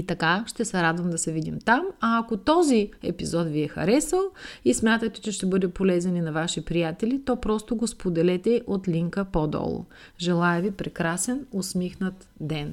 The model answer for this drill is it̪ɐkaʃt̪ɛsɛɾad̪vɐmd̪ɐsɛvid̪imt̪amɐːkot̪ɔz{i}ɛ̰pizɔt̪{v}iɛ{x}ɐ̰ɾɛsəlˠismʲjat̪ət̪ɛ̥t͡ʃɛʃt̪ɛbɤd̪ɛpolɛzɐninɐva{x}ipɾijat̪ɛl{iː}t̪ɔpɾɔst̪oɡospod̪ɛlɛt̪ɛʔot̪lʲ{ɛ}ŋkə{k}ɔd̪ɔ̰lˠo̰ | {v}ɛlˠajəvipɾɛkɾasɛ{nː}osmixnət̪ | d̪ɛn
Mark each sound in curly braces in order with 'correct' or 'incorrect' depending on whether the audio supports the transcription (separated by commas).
correct, correct, correct, incorrect, incorrect, incorrect, incorrect, incorrect, incorrect